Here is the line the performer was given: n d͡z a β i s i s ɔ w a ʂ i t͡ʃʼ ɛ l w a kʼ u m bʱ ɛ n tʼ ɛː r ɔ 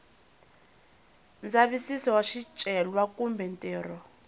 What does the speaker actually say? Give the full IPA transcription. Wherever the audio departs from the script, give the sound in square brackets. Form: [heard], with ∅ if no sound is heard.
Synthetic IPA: n d͡z a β i s i s ɔ w a [ʃ] i t͡ʃʼ ɛ l w a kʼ u m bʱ ɛ n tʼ ɛː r ɔ